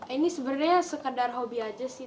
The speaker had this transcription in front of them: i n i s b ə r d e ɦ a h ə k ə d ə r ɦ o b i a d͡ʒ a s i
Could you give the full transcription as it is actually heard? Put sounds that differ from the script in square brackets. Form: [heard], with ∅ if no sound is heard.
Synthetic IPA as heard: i n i s b ə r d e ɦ a [s] ə k ə d [a] r ɦ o b i a d͡ʒ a s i

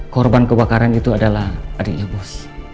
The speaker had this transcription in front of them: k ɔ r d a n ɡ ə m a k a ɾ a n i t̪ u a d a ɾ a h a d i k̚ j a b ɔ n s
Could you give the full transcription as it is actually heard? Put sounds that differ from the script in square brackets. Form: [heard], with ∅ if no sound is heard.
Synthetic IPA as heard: k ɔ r [b] a n [k] ə [b] a k a ɾ a n i t̪ u a d a [l] a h a d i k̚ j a b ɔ [∅] s

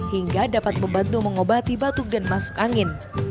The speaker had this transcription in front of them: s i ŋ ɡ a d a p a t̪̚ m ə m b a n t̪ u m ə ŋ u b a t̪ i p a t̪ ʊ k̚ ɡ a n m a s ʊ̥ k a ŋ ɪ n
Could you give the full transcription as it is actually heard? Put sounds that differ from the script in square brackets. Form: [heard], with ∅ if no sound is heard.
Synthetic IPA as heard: [h] i ŋ ɡ a d a p a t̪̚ m ə m b a n t̪ u m ə ŋ [o] b a t̪ i [b] a t̪ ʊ k̚ [d] a n m a s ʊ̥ k a ŋ ɪ n

